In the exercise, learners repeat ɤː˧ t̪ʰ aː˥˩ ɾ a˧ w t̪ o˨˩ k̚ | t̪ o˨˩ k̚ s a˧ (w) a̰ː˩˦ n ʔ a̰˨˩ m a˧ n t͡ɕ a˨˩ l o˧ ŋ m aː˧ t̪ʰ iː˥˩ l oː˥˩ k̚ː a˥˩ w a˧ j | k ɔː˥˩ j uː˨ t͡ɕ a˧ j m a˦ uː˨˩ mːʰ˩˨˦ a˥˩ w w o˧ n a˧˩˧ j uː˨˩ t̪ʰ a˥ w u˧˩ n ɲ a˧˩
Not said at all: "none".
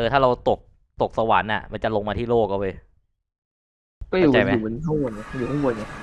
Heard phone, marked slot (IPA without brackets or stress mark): w